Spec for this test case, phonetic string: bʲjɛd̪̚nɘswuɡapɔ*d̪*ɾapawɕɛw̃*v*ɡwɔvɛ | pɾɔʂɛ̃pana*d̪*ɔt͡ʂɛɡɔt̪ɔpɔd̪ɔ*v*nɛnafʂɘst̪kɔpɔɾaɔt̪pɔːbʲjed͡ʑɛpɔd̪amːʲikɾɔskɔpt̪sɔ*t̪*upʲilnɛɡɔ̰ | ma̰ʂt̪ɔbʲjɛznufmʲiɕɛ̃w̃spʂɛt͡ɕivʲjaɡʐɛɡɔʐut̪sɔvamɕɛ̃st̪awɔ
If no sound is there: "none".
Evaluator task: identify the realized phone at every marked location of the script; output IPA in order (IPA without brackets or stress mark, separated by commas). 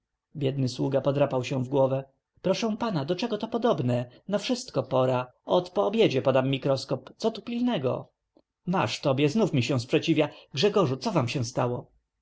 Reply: d̪, v, d̪, b, t̪